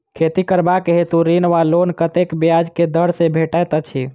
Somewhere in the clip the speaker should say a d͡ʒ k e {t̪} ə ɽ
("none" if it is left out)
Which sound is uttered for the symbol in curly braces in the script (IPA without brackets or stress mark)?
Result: d̪